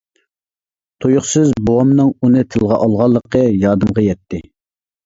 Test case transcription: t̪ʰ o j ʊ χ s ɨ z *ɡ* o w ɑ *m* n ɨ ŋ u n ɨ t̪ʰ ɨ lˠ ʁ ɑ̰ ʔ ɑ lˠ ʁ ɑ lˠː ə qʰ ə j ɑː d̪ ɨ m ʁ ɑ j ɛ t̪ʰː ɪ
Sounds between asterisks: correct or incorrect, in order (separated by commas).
incorrect, correct